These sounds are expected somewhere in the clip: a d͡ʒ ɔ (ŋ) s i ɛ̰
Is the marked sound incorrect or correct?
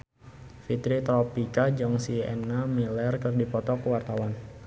correct